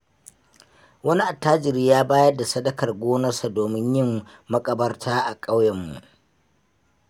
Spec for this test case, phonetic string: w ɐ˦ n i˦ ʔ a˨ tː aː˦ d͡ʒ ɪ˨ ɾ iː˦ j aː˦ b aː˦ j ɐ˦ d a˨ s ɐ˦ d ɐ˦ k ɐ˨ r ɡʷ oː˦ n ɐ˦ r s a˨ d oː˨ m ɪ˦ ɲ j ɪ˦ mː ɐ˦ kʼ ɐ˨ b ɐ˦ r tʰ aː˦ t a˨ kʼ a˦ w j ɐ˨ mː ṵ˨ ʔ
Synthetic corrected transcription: w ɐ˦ n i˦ ʔ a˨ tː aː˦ d͡ʒ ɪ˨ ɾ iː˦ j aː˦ b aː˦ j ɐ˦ d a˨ s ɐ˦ d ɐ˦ k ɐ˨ r ɡʷ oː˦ n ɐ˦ r s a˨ d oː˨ m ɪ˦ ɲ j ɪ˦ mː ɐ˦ kʼ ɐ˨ b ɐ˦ r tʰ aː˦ ʔ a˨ kʼ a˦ w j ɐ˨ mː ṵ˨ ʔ